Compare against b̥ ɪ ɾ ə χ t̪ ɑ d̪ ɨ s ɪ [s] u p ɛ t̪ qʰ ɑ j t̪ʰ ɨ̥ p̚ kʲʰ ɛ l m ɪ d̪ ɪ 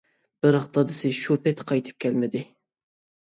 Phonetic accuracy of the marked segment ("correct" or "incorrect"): incorrect